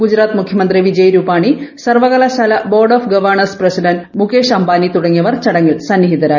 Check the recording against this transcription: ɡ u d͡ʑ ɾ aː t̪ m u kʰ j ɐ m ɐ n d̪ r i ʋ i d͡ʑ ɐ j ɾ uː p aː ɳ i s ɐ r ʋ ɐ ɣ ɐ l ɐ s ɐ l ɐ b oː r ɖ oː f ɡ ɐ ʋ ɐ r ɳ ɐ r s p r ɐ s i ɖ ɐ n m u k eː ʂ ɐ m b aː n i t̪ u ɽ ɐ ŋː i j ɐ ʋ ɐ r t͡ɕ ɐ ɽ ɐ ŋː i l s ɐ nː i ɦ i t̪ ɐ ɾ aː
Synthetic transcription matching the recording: ɡ u d͡ʑ ɾ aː t̪ m u kʰ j ɐ m ɐ n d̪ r i ʋ i d͡ʑ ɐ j ɾ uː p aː ɳ i s ɐ r ʋ ɐ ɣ ɐ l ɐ s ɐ l ɐ b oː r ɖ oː f ɡ ɐ ʋ ɐ r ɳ ɐ r s p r ɐ s i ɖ ɐ n m u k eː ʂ ɐ m b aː n i t̪ u ɽ ɐ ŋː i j ɐ ʋ ɐ r t͡ɕ ɐ ɽ ɐ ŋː i l s ɐ nː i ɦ i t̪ ɐ ɾ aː